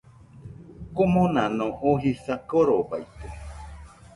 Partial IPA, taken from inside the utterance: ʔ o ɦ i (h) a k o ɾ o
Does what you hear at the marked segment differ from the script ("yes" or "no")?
yes